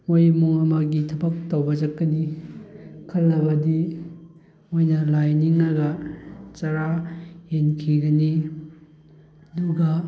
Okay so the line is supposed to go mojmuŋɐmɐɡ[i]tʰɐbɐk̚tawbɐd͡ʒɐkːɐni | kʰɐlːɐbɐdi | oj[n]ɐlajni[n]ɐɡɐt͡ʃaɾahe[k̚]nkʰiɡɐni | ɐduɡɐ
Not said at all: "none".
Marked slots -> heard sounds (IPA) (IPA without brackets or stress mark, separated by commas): i, n, ŋ, none